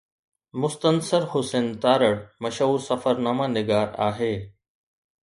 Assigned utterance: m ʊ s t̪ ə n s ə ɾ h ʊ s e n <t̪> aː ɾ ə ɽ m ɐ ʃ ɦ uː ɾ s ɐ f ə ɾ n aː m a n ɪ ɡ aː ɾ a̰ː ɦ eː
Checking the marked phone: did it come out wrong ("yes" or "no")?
no